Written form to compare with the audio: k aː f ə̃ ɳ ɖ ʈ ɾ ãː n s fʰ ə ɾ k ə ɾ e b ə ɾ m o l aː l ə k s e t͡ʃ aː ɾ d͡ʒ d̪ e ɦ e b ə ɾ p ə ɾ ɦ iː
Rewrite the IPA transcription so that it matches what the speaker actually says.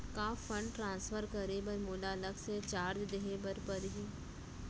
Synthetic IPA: k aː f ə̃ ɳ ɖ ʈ ɾ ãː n s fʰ ə ɾ k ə ɾ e b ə ɾ m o l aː l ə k s e t͡ʃ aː ɾ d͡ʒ d̪ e ɦ e b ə ɾ p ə ɾ ɦ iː